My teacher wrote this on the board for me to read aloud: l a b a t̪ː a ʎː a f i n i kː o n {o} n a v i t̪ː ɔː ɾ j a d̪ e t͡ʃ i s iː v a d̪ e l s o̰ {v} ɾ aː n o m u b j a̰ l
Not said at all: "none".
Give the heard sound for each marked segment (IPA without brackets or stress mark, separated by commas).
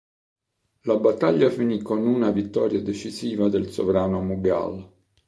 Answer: u, v